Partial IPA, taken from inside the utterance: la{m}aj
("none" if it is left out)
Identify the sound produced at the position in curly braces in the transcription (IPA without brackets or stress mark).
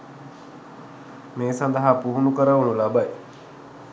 b